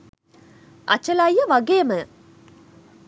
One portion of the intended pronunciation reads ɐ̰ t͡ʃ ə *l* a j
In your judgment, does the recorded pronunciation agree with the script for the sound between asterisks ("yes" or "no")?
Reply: yes